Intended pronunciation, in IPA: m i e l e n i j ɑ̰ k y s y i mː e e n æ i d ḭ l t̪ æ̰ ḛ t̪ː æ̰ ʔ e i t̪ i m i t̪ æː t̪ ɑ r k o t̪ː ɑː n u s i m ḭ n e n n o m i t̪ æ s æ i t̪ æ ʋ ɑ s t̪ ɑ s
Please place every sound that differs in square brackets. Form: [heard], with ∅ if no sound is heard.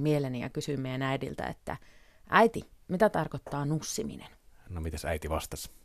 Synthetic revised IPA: m i e l e n i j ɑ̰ k y s y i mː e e n æ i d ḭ l t̪ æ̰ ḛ t̪ː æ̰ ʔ [æ] i t̪ i m i t̪ [æ] t̪ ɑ r k o t̪ː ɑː n u [sː] i m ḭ n e n n o m i t̪ æ s æ i t̪ [i] ʋ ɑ s t̪ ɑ s